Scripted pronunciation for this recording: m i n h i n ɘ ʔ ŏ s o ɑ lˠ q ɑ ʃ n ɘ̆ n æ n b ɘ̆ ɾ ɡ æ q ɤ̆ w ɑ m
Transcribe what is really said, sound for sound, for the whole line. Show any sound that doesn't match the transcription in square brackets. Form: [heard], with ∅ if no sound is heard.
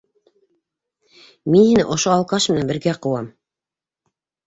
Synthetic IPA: m i n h i n ɘ ʔ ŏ [ʃ] o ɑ lˠ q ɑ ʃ [m] ɘ̆ n æ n b ɘ̆ ɾ ɡ æ q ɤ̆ w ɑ m